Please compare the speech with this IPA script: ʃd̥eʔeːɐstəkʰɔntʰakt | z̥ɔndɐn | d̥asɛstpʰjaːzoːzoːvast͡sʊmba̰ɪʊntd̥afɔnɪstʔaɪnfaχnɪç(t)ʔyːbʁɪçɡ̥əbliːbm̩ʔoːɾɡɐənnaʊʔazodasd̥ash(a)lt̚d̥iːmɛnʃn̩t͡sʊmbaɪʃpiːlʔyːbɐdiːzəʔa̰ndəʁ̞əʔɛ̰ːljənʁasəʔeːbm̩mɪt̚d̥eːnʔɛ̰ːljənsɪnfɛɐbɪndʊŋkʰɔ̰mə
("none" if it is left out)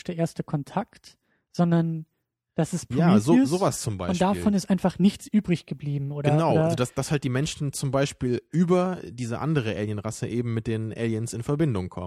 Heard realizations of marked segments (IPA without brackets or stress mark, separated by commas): t͡s, a